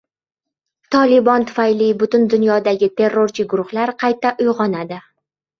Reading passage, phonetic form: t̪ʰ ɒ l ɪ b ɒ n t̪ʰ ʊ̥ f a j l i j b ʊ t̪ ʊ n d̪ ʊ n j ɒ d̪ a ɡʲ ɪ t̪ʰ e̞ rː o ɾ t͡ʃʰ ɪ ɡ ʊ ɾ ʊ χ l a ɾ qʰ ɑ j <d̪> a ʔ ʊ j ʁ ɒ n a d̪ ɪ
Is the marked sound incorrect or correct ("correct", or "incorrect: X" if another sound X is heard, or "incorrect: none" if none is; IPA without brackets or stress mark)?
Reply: incorrect: t̪